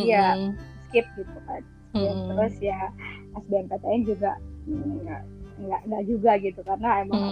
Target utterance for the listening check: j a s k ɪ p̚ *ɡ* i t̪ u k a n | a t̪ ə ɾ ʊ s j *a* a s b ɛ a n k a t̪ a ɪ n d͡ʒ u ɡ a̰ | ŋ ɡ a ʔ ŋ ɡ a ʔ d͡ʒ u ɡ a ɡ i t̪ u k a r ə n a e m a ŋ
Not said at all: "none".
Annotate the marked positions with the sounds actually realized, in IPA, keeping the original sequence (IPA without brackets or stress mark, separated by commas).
ɡ, a